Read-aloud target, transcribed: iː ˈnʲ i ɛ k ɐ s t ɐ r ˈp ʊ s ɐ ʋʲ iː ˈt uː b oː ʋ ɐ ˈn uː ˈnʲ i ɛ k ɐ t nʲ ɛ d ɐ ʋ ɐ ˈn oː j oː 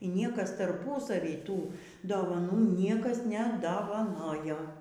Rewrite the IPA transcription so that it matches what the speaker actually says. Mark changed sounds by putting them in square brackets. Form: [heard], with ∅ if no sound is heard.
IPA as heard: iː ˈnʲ i ɛ k ɐ s t ɐ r ˈp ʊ s ɐ ʋʲ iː ˈt uː [d] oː ʋ ɐ ˈn uː ˈnʲ i ɛ k ɐ [s] nʲ ɛ d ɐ ʋ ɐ ˈn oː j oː